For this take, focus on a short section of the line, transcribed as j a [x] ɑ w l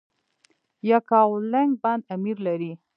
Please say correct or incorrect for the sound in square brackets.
incorrect